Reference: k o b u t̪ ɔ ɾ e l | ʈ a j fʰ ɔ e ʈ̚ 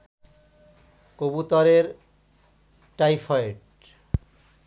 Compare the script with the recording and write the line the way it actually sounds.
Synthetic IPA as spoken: k o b u t̪ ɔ ɾ e ɾ | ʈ a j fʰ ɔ e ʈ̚